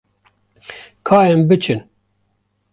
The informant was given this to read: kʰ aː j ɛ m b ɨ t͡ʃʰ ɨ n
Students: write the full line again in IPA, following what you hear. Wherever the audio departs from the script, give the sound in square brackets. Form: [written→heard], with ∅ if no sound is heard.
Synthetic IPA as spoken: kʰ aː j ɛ m b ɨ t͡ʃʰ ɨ n